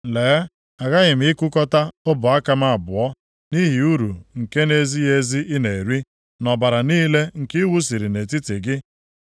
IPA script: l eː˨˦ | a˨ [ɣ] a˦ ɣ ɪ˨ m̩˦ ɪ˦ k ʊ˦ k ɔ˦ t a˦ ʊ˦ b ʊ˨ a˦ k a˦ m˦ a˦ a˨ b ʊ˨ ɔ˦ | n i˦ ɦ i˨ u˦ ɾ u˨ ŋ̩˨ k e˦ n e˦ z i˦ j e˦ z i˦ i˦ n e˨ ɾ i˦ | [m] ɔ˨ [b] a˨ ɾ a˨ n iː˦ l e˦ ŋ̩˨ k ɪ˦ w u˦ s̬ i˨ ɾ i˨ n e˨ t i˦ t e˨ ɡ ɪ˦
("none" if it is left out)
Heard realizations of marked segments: ɣ, n, b

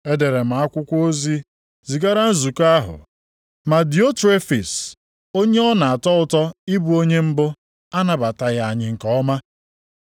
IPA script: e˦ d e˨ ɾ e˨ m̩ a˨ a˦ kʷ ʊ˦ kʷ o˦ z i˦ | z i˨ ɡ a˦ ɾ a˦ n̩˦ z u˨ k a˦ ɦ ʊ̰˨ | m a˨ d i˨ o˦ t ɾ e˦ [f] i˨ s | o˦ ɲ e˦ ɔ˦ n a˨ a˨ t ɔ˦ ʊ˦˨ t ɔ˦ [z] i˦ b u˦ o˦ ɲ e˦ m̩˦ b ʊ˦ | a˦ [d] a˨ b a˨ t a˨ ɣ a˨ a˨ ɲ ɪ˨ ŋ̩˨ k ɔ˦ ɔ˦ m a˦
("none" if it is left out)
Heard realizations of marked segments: f, none, n

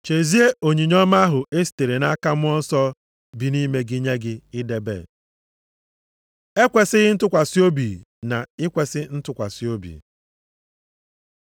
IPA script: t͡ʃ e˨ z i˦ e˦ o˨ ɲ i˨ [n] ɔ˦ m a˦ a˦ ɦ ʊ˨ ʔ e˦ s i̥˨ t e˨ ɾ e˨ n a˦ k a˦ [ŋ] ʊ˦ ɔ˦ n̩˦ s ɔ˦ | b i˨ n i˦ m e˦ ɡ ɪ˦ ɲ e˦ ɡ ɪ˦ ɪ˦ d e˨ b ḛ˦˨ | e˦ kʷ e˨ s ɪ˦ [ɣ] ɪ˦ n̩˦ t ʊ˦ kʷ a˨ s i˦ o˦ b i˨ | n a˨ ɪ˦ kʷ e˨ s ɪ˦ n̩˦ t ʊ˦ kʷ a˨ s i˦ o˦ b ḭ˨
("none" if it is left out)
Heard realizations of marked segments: ɲ, m, ɣ

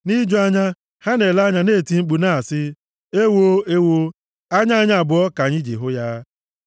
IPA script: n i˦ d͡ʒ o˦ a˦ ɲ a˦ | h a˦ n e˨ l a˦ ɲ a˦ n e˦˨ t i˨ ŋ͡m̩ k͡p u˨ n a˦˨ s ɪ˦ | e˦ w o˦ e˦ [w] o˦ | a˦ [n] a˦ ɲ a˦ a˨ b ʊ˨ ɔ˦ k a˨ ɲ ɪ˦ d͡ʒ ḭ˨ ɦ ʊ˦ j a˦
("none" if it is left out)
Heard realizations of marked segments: w, ɲ

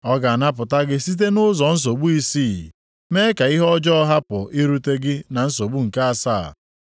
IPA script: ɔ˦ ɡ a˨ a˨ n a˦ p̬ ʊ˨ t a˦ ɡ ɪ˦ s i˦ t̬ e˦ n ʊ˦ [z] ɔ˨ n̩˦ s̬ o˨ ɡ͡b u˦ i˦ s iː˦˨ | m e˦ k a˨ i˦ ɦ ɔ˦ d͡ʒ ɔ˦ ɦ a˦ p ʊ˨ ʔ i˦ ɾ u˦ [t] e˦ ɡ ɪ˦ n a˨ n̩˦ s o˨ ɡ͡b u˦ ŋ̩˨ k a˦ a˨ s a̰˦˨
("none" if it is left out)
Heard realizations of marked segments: z, t

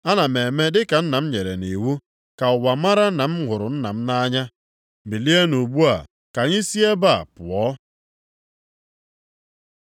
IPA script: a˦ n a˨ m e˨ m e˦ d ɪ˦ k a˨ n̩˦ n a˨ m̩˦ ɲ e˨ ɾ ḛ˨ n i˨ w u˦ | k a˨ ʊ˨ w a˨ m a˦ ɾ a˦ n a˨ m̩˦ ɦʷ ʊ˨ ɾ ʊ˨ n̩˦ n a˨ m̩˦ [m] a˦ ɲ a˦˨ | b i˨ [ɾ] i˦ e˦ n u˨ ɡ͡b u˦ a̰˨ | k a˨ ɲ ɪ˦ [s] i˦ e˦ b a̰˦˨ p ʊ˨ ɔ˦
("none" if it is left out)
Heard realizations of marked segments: n, l, s

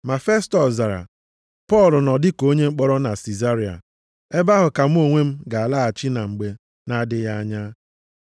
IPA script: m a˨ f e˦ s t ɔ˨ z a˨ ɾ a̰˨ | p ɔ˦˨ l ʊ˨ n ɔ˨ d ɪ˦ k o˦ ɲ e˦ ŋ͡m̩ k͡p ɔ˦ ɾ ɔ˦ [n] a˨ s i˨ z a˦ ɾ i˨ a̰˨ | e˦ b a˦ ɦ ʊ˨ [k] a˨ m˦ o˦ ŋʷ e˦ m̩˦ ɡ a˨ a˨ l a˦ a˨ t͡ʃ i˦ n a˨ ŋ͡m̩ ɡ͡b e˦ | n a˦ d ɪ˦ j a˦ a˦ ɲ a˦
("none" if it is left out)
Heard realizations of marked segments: n, k

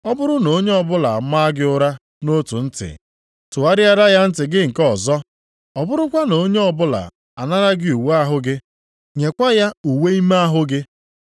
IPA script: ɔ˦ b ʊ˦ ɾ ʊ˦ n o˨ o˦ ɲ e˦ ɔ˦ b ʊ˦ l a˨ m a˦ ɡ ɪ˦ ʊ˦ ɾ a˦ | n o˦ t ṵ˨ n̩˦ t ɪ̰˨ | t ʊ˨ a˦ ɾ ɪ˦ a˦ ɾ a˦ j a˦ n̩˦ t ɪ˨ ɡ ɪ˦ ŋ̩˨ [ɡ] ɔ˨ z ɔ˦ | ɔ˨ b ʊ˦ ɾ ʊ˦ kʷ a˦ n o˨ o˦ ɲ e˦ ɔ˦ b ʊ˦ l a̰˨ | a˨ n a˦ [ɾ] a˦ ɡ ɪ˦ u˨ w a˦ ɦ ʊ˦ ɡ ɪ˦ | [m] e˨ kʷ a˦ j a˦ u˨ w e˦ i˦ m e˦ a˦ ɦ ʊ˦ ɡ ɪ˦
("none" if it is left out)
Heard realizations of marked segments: k, ɾ, ɲ

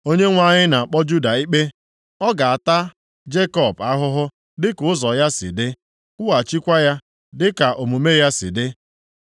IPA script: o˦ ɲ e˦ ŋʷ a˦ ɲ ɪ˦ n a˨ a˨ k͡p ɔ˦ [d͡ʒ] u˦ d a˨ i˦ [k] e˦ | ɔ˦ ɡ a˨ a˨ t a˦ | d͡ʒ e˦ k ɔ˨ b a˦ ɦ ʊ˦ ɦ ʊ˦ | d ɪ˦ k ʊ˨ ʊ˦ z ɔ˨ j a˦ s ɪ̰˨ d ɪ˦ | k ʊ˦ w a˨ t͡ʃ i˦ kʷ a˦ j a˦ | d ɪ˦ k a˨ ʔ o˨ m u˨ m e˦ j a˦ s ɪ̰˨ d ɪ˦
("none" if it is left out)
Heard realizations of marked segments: d͡ʒ, k͡p

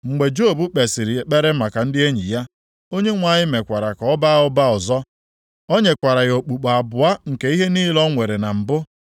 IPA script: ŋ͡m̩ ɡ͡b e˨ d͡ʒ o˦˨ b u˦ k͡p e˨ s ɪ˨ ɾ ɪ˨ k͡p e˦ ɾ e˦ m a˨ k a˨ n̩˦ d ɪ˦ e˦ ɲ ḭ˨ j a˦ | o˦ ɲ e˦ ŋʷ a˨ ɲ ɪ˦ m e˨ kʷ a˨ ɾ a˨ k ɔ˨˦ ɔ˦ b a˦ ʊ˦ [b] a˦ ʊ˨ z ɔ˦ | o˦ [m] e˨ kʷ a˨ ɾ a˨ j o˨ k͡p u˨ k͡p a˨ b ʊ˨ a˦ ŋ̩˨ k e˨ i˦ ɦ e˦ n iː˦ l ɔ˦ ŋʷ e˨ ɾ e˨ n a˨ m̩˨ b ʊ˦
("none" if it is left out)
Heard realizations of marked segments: b, ɲ

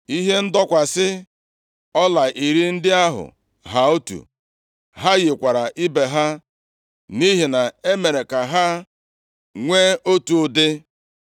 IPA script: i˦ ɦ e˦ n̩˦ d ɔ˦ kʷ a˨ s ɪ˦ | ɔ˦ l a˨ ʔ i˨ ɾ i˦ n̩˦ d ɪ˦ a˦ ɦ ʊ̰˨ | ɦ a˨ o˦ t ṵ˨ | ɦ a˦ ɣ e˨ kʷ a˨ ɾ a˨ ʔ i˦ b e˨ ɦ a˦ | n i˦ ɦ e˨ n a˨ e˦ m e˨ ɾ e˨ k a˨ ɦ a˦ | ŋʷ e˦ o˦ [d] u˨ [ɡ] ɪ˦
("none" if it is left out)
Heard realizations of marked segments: t, d

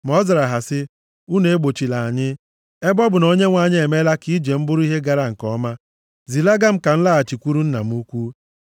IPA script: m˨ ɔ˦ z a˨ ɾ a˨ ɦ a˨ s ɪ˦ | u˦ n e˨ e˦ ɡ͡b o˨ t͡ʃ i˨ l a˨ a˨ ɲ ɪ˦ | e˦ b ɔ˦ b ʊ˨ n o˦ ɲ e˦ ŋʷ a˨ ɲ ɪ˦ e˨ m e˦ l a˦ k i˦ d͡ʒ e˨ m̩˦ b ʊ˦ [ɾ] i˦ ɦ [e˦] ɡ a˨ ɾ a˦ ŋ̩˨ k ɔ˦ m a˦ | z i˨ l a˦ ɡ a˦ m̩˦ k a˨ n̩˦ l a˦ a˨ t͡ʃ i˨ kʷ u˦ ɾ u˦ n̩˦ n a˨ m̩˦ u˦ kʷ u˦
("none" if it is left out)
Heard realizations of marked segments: ɾ, e˦

